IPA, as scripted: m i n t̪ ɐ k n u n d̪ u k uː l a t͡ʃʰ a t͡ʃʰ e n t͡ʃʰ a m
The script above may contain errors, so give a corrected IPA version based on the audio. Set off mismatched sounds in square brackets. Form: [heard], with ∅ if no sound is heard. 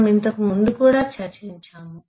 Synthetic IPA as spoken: m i n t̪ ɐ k [m] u n d̪ u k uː [ɽ] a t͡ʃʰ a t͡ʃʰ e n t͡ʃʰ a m